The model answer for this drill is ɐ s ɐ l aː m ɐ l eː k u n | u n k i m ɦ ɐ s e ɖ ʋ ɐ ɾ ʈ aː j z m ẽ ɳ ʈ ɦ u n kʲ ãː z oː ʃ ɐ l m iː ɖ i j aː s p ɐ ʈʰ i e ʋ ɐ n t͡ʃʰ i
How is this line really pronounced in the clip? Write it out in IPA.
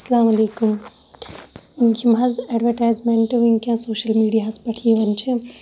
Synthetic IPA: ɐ s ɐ l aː m ɐ l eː k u m | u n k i m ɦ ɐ z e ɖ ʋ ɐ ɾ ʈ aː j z m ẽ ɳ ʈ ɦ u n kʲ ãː s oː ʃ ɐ l m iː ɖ i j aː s p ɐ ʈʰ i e ʋ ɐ n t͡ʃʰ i